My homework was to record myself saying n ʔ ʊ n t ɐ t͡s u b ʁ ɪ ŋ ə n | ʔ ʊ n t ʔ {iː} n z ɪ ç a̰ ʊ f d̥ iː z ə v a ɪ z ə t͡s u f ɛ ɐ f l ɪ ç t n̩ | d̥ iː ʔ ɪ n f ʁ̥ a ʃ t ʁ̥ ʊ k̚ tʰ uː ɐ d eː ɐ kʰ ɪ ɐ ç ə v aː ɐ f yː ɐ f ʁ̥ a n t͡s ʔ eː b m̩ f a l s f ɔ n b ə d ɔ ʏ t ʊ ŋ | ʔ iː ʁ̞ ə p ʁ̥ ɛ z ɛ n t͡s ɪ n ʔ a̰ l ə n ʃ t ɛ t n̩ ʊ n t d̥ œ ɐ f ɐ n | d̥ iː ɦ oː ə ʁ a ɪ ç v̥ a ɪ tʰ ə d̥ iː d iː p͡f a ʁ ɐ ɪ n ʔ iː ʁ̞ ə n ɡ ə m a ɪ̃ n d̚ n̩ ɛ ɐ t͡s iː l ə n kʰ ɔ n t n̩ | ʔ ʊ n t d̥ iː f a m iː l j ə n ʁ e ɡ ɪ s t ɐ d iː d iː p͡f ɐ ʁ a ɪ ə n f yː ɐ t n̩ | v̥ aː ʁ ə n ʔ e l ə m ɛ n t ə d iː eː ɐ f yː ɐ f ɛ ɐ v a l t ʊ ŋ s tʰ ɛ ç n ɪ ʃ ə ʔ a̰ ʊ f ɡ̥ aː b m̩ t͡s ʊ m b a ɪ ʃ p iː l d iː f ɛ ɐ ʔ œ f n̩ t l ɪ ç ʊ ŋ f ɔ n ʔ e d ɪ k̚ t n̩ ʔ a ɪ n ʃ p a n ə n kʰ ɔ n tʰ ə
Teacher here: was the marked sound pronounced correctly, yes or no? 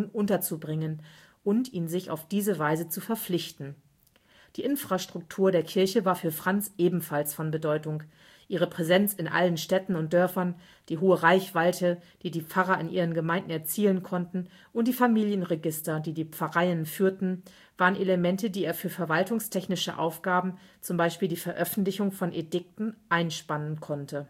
yes